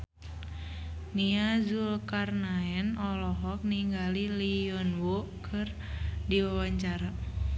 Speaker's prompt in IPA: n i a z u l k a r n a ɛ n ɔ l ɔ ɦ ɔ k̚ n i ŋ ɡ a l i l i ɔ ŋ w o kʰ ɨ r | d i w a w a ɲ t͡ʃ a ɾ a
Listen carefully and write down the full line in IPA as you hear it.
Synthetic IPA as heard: n i a z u l k a r n a ɛ n ɔ l ɔ ɦ ɔ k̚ n i ŋ ɡ a l i l i ɔ n w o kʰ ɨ r | d i w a w a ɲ t͡ʃ a ɾ a